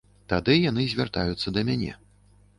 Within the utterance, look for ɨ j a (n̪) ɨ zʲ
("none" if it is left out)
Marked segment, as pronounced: n̪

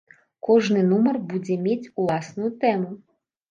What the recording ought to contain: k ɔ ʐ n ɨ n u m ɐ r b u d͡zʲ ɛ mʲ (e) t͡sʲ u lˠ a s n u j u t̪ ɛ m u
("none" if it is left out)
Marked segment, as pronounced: e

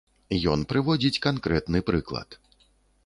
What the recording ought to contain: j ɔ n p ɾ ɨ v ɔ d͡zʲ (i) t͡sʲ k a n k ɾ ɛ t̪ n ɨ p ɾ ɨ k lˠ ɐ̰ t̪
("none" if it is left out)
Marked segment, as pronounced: i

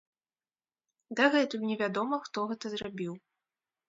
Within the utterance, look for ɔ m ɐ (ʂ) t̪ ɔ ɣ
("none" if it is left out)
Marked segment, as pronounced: x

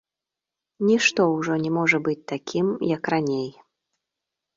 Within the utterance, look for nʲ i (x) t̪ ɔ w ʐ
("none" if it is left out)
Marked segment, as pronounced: ʂ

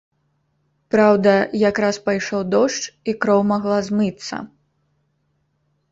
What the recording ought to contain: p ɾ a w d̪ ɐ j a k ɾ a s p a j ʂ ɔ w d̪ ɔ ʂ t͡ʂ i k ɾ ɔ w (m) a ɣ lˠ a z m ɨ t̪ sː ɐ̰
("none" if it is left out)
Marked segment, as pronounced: m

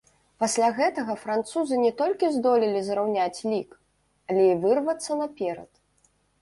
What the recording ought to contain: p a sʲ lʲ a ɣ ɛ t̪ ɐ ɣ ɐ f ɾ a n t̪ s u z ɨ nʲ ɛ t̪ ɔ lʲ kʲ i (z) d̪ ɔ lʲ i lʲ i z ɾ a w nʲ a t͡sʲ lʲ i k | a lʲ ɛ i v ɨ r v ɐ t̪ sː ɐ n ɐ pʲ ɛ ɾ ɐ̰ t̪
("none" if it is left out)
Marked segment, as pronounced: z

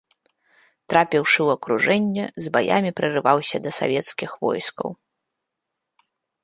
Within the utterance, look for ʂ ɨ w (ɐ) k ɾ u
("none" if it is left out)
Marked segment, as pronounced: ɐ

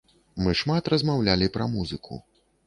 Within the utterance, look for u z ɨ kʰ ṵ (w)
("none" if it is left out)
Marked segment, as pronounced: none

